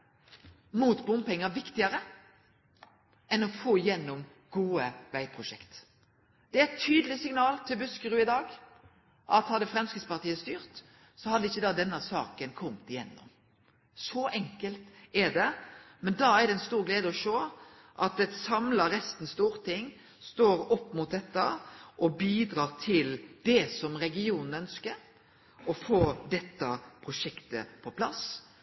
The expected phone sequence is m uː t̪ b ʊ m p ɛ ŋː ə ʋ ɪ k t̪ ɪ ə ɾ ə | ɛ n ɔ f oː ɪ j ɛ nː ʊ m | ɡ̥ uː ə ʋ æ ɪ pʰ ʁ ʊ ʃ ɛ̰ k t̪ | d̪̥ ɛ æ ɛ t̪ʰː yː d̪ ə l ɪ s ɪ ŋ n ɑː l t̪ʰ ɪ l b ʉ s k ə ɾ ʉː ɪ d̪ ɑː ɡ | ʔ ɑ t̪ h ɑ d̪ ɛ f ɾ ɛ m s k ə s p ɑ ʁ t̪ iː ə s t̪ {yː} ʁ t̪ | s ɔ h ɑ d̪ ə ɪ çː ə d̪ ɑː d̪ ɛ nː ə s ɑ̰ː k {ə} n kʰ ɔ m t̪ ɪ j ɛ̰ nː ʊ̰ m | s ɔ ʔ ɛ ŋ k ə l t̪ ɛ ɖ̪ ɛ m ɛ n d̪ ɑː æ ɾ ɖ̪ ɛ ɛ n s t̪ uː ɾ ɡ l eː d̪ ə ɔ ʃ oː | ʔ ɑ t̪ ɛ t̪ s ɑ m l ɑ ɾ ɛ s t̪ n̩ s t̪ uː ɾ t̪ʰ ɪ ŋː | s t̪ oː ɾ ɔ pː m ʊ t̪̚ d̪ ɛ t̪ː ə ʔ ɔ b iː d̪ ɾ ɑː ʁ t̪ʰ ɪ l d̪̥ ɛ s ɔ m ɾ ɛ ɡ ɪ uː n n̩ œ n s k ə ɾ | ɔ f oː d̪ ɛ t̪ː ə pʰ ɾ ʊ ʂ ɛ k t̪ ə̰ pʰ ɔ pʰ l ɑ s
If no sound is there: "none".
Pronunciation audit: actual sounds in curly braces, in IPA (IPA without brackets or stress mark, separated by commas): yː, ə